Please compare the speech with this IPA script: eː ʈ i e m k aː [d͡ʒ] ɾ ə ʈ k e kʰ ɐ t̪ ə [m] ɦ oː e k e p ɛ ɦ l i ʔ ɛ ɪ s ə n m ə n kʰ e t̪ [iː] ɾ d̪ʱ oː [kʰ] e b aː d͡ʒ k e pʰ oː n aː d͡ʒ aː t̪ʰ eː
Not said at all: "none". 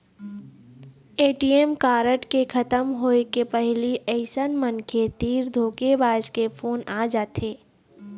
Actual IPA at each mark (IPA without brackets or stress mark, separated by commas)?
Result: none, m, iː, k